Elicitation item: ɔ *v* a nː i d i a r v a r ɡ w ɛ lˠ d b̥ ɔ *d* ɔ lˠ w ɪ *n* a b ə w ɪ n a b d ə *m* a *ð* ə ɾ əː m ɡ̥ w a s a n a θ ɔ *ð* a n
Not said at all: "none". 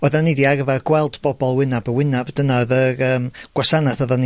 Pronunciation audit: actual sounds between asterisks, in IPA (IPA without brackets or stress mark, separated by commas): ð, b, n, n, ð, ð